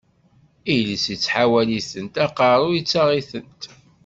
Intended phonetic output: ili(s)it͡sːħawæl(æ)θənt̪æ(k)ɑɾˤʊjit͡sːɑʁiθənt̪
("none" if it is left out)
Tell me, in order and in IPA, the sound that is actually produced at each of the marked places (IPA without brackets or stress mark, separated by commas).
s, i, q